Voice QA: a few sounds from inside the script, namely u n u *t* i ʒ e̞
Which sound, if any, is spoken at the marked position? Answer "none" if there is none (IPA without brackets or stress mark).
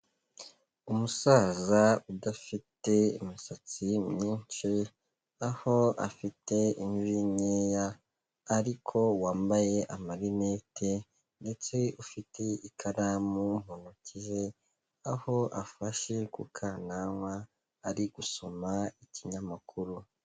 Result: c